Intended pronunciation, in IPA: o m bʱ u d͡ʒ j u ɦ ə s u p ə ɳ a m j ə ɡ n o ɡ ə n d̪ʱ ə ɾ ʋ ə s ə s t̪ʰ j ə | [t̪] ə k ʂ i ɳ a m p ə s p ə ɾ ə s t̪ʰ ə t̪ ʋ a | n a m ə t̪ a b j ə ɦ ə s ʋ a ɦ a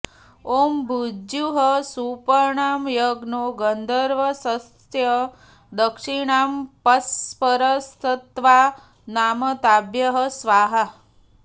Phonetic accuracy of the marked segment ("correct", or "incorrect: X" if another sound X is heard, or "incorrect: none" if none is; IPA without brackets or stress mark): incorrect: d̪